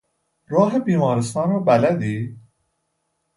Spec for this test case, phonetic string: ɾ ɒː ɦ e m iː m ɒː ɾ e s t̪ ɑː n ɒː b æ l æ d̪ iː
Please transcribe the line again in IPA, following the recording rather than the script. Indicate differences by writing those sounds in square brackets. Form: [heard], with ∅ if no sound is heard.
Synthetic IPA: ɾ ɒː ɦ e [b] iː m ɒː ɾ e s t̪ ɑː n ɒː b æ l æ d̪ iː